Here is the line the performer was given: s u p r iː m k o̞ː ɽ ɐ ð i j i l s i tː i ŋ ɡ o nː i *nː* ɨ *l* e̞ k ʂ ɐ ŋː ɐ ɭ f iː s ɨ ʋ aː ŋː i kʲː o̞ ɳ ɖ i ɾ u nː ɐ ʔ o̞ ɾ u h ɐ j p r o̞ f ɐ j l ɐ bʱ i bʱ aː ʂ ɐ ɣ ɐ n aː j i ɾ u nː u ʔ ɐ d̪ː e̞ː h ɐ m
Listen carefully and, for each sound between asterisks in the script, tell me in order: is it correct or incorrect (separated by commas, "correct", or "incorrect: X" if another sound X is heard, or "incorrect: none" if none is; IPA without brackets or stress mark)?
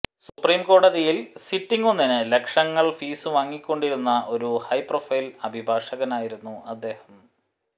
incorrect: n, correct